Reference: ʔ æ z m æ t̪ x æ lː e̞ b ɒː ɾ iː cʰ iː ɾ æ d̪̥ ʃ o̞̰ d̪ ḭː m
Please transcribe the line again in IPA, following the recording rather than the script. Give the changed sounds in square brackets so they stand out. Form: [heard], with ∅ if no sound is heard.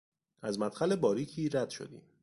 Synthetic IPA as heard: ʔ æ z m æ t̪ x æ [l] e̞ b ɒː ɾ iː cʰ iː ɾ æ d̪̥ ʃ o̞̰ d̪ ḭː m